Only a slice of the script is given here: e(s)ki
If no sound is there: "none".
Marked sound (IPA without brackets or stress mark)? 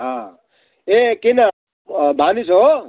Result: none